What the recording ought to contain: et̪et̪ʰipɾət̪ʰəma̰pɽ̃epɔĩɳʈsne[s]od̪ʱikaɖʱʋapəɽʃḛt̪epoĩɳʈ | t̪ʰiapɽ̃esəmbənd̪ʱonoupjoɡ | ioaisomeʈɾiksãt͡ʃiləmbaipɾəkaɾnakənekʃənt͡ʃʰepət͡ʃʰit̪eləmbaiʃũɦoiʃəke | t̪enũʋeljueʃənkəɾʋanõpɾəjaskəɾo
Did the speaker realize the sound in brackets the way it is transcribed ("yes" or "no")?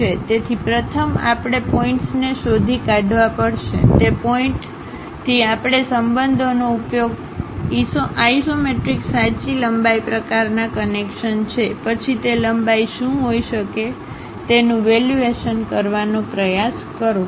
no